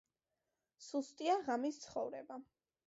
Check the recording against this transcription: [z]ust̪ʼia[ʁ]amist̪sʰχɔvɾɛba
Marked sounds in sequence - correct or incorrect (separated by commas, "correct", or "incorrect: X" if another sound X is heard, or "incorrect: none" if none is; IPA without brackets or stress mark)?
incorrect: s, correct